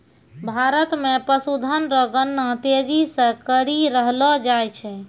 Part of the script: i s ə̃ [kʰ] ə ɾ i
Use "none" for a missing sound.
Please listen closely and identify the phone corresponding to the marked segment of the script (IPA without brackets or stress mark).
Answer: k